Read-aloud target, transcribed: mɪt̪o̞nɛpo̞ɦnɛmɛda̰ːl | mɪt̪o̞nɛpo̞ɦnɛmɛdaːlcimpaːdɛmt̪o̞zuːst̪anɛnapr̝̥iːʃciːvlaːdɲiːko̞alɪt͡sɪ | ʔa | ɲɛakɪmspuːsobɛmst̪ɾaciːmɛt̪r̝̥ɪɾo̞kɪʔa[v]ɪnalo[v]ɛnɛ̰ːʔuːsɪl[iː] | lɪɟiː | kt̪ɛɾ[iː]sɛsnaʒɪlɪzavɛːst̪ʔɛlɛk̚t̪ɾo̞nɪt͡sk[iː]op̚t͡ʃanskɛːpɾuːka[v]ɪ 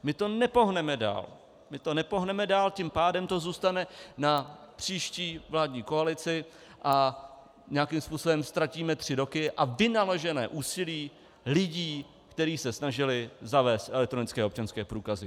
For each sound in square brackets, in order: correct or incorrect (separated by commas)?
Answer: correct, incorrect, correct, correct, incorrect, incorrect